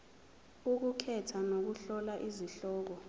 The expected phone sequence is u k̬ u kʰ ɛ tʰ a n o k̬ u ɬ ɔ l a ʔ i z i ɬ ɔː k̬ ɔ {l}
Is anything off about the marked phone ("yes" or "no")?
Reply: yes